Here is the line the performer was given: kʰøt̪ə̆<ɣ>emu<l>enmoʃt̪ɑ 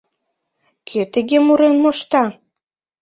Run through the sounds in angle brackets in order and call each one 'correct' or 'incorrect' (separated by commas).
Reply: correct, incorrect